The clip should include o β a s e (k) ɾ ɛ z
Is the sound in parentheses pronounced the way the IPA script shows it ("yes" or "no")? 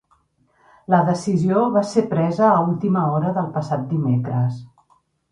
no